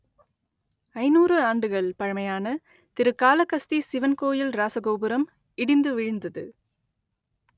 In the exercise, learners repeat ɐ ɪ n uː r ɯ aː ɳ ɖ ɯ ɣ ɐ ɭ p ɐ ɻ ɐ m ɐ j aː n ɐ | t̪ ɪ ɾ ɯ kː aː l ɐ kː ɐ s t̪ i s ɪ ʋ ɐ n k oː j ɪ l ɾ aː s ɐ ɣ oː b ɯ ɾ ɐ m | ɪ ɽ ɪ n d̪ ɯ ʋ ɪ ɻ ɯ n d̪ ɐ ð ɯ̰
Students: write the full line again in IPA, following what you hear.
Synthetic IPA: ɐ ɪ n uː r ɯ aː ɳ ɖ ɯ ɣ ɐ ɭ p ɐ ɻ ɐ m ɐ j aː n ɐ | t̪ ɪ ɾ ɯ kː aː l ɐ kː ɐ s t̪ i s ɪ ʋ ɐ n k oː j ɪ l ɾ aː s ɐ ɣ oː b ɯ ɾ ɐ m | ɪ ɽ ɪ n d̪ ɯ ʋ ɪ ɻ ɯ n d̪ ɐ ð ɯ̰